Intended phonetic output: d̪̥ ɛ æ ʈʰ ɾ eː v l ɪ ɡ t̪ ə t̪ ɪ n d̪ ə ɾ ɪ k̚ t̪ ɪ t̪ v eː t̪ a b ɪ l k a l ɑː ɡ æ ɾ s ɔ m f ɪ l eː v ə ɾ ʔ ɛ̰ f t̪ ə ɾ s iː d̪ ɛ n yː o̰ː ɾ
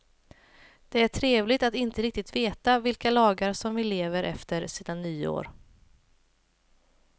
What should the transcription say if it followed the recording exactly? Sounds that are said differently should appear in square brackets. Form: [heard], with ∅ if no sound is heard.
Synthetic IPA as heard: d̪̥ ɛ æ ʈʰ ɾ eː v l ɪ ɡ t̪ [a] t̪ ɪ n [t̪] ə ɾ ɪ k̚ t̪ ɪ t̪ v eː t̪ a [v] ɪ l k a l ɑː ɡ [a] ɾ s ɔ m [v] ɪ l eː v ə ɾ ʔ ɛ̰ f t̪ ə ɾ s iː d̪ [a] n yː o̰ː ɾ